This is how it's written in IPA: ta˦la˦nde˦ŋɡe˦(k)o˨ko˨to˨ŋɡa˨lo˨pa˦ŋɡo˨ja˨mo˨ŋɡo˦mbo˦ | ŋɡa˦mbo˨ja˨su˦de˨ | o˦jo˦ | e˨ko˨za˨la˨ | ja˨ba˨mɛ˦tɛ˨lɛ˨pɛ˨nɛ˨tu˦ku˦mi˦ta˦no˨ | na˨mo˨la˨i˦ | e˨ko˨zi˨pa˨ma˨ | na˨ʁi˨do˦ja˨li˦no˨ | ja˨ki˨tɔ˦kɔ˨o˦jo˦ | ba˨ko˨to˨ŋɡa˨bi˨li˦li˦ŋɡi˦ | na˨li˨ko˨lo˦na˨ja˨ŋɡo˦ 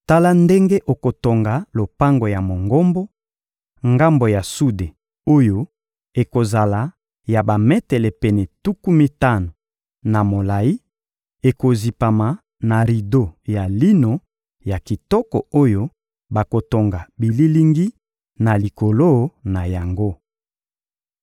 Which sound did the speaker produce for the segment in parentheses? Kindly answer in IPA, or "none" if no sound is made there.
ʔ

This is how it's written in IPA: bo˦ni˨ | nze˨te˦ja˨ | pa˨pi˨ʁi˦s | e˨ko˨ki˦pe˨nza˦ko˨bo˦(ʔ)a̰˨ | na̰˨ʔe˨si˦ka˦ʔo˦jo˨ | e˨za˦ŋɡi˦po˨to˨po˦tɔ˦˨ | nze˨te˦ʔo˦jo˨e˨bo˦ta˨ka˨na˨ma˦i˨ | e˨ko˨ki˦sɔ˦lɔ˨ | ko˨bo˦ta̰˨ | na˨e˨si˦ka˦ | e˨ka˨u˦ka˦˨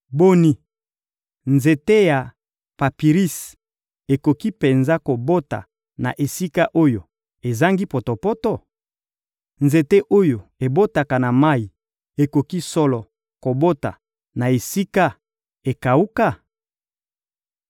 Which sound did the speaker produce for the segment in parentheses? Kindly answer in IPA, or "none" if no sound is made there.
t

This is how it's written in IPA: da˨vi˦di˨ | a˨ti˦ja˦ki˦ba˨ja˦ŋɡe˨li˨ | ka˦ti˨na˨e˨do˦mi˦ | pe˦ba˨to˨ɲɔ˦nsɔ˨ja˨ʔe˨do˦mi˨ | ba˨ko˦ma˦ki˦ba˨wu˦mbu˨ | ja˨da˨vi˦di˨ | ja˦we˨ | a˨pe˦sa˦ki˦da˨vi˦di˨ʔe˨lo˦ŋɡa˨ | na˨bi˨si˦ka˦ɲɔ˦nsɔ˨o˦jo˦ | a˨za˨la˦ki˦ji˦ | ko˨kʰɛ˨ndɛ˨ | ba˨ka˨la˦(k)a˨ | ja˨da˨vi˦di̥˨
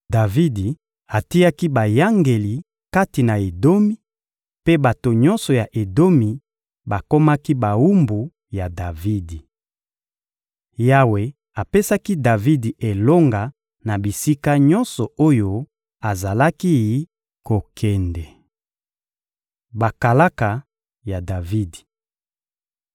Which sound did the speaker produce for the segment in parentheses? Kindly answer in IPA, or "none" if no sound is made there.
k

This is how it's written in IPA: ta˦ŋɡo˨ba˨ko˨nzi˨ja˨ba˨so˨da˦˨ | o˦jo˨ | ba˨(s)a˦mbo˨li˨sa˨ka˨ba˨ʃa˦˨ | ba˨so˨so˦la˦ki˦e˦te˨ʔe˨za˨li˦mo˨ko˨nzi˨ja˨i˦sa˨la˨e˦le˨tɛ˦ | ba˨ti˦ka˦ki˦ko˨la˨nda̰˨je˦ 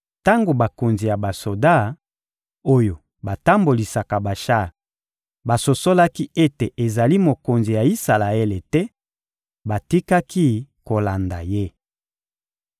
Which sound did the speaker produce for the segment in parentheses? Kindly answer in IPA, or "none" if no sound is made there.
t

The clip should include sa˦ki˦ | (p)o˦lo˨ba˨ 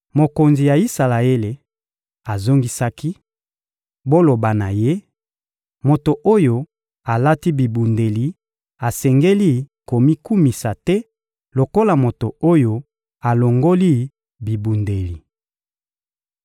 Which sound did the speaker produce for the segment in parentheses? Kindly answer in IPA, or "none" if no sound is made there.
b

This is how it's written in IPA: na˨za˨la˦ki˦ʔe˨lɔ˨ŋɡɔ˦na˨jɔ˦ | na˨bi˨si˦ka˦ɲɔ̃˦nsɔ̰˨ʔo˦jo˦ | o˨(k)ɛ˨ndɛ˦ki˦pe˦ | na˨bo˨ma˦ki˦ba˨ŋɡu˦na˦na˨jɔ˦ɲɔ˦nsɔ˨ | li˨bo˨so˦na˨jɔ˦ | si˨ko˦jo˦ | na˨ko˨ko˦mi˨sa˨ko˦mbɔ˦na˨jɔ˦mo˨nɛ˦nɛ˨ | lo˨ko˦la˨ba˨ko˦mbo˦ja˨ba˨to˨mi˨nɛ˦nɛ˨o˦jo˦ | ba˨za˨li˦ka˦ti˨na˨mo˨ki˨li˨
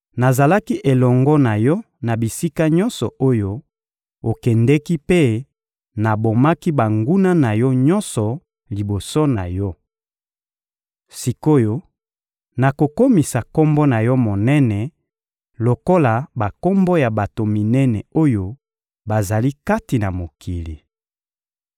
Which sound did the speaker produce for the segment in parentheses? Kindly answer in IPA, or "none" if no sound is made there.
k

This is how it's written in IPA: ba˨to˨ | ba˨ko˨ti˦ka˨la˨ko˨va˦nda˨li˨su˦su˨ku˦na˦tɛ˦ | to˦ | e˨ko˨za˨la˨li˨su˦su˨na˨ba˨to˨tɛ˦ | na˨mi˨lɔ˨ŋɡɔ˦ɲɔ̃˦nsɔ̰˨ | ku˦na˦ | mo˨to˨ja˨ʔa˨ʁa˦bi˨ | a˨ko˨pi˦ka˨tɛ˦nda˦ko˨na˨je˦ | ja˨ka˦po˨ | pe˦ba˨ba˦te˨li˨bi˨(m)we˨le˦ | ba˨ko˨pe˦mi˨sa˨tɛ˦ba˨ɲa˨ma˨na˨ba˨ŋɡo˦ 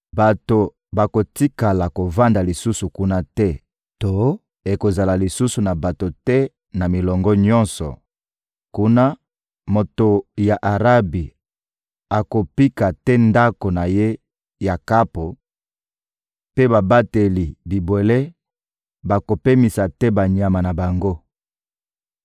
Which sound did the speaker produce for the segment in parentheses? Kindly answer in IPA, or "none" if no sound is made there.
b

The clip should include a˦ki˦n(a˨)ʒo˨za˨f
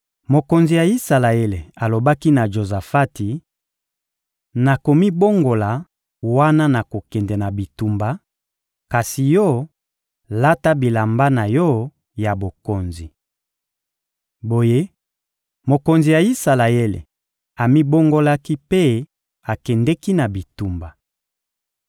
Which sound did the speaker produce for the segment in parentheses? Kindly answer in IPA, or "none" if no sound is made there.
a˨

